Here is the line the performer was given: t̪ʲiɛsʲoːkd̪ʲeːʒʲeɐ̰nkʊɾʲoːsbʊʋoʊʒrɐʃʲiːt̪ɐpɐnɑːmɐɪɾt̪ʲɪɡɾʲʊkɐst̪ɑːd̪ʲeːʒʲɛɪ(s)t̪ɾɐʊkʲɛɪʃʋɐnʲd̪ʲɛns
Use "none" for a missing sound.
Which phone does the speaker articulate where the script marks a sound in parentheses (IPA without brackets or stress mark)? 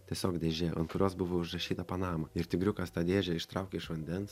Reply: ʃ